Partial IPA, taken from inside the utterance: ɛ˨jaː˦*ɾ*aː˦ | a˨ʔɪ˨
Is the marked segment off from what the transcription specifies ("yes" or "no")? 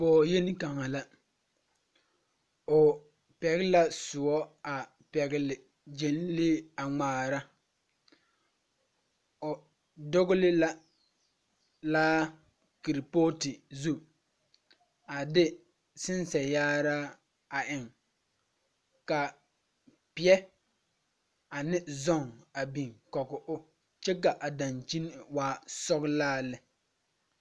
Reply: no